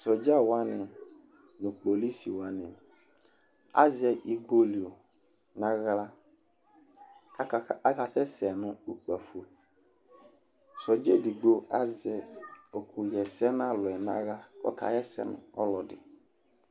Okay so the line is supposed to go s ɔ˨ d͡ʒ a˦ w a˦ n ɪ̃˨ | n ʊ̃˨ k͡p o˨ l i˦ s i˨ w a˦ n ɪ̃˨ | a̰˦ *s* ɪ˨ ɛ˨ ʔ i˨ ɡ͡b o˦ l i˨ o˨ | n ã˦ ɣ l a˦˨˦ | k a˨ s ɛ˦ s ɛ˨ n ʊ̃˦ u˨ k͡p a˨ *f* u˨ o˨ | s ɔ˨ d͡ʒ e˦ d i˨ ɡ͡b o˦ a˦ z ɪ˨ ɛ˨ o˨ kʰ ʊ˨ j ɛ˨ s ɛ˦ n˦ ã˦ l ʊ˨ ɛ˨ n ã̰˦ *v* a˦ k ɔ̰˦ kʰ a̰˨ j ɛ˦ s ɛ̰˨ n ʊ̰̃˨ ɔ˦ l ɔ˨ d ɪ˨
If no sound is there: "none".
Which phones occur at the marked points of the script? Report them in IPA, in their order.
z, f, ɣ

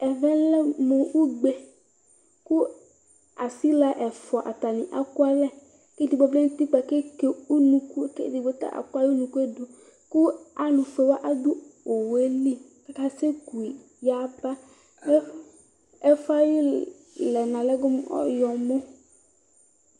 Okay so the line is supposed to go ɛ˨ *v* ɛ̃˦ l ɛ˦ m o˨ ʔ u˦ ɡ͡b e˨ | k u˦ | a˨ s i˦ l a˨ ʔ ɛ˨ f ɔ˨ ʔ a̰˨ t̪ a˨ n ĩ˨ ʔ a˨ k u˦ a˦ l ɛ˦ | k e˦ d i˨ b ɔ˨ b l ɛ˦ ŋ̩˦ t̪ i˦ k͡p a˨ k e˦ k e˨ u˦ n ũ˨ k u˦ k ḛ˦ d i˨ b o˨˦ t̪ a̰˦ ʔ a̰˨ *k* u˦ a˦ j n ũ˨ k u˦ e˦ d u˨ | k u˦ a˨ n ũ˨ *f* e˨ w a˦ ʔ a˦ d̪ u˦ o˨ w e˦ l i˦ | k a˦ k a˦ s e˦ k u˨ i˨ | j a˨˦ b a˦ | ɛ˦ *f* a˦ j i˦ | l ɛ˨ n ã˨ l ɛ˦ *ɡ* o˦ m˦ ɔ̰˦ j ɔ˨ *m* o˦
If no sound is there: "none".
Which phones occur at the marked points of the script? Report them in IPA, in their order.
v, k, f, f, ɡ, m

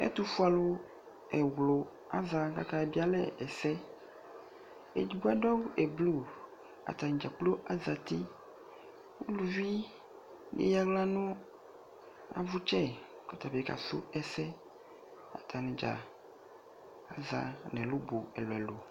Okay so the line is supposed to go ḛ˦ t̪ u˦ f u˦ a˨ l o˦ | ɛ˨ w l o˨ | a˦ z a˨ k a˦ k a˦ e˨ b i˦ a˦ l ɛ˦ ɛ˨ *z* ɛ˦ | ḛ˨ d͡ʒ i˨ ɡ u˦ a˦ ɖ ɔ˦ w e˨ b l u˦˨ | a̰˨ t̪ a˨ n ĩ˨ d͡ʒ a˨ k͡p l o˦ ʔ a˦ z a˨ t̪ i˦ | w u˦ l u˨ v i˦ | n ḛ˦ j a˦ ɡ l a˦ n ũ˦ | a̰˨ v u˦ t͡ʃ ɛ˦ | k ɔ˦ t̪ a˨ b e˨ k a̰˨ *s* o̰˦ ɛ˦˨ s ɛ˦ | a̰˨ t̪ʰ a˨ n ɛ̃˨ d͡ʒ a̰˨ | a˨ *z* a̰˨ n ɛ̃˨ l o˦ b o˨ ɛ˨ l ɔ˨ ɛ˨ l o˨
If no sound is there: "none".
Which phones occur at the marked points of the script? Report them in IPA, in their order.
s, s, z

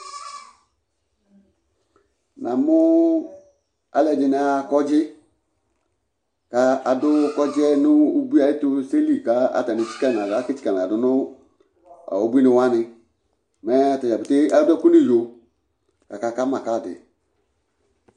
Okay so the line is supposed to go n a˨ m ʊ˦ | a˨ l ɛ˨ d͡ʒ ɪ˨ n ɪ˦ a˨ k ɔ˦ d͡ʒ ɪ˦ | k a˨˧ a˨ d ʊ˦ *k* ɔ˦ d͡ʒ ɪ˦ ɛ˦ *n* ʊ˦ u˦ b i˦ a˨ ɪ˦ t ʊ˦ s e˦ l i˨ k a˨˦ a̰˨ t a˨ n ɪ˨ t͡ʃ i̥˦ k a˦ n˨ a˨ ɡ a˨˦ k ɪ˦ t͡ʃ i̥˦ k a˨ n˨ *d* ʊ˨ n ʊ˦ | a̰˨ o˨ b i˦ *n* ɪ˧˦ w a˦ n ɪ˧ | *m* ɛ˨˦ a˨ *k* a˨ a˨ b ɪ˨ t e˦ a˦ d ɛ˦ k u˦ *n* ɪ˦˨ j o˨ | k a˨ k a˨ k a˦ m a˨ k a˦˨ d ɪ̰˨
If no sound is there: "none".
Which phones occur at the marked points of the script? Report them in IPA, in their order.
k, n, d, n, m, t, n

